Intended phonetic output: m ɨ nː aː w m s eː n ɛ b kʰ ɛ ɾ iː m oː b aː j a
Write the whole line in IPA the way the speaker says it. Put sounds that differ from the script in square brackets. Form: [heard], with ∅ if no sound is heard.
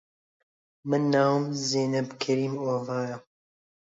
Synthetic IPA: m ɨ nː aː w m [z] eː n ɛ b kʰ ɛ ɾ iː m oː [v] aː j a